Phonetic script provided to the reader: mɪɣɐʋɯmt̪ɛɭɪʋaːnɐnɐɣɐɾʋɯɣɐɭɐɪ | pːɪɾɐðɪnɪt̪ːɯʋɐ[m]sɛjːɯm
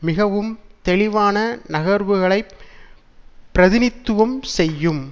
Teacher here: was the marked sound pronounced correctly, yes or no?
yes